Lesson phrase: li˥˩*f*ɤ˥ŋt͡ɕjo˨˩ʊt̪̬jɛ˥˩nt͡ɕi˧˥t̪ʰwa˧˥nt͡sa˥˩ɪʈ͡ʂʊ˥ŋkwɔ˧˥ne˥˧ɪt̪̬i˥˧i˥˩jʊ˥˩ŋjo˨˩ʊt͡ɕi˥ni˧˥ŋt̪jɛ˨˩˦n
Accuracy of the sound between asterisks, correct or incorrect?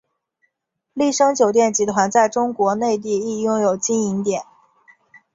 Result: incorrect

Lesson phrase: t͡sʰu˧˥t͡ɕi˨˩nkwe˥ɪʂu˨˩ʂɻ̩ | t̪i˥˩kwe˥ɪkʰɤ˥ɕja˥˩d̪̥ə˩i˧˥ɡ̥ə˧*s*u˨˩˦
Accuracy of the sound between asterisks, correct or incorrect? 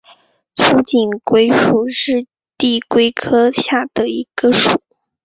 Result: incorrect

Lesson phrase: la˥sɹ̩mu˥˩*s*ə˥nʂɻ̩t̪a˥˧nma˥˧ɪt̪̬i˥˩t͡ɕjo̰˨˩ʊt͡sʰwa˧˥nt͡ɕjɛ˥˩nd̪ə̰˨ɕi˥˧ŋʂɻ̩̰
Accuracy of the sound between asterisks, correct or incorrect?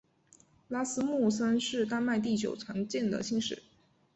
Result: correct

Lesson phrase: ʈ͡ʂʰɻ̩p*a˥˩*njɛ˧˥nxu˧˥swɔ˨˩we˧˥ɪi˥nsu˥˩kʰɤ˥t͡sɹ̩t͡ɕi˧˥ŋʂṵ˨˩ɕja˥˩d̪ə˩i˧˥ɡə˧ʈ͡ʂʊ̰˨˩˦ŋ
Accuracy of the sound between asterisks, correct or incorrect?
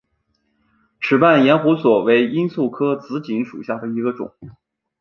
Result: correct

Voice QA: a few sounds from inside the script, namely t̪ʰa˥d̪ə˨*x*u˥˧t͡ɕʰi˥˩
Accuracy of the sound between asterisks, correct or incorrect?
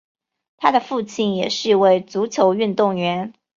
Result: incorrect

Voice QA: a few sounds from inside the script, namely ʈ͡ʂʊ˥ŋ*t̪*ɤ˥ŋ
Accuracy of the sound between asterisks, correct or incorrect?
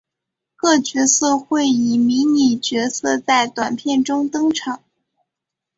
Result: correct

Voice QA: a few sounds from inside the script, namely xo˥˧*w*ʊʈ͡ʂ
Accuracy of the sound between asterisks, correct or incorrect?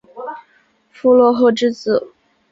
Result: incorrect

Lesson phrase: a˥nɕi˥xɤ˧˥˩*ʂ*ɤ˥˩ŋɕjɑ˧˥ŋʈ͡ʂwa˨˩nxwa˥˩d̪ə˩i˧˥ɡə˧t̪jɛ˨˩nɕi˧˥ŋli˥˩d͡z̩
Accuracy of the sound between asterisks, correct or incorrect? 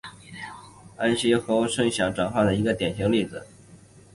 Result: correct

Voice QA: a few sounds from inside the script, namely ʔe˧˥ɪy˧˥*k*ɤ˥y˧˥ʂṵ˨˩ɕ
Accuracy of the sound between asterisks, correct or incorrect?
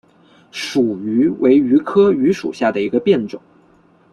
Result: incorrect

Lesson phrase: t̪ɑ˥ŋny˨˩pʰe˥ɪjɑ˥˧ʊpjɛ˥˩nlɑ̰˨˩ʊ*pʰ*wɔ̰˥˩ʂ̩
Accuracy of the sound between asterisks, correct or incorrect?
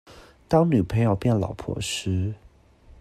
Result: correct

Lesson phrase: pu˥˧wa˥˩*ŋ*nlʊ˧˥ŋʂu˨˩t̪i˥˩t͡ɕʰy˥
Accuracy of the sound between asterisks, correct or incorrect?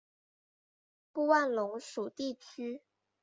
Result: incorrect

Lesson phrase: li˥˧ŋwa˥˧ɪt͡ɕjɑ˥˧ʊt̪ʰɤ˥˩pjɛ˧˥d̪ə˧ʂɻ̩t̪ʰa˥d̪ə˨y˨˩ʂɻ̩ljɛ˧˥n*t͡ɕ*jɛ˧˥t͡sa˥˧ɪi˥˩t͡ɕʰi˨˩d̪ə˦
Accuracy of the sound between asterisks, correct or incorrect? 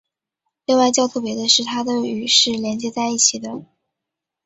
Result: correct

